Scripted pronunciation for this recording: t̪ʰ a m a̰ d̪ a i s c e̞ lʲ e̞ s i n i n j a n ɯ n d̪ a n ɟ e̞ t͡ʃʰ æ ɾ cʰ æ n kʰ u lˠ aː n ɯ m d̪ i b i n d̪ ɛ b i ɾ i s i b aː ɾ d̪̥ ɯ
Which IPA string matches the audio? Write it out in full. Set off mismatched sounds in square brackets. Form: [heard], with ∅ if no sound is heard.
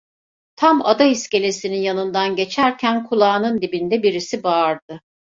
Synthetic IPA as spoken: t̪ʰ a m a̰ d̪ a i s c e̞ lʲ e̞ s i n i n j a n ɯ n d̪ a n ɟ e̞ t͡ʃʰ æ ɾ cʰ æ n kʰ u lˠ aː n ɯ [n] d̪ i b i n d̪ ɛ b i ɾ i s i b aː ɾ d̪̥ ɯ